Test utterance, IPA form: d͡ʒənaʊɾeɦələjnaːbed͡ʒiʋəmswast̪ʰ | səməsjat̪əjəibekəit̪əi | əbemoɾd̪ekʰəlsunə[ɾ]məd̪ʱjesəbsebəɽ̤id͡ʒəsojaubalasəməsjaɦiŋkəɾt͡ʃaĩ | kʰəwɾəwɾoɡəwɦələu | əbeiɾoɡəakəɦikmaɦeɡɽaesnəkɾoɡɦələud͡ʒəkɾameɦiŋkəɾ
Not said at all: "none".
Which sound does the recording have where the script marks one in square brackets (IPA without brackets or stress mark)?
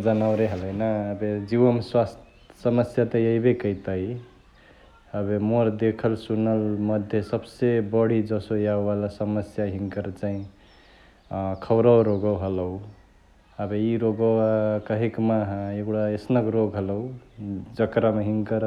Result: l